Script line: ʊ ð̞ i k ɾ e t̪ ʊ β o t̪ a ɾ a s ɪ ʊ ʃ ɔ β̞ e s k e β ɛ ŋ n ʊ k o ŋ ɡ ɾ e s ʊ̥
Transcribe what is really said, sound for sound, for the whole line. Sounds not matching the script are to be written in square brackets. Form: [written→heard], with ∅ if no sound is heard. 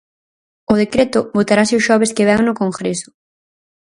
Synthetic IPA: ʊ ð̞ [i→e] k ɾ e t̪ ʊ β o t̪ a ɾ a s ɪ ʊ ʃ ɔ β̞ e s k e β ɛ ŋ n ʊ k o ŋ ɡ ɾ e s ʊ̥